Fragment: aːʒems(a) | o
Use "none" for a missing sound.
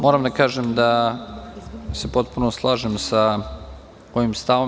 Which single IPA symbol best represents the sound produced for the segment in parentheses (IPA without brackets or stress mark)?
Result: a